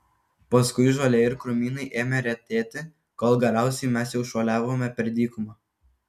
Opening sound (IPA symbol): p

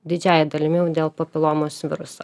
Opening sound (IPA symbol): d̪ʲ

